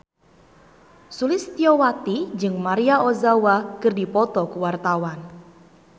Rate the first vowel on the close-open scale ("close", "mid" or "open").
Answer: close